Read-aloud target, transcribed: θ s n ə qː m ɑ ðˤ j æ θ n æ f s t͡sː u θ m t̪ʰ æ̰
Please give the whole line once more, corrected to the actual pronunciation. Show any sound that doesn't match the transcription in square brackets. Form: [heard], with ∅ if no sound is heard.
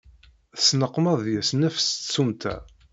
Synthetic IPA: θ s n ə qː m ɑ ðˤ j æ [s] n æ f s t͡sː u [∅] m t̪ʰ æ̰